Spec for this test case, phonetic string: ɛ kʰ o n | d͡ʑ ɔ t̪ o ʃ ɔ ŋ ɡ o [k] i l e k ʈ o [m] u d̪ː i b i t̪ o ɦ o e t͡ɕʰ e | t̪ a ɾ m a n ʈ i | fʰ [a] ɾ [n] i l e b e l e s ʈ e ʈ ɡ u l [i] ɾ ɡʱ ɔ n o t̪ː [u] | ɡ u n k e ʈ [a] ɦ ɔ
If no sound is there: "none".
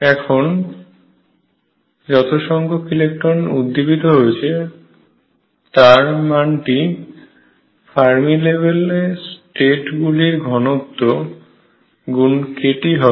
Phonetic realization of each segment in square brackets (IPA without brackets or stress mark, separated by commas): k, n, a, m, i, o, i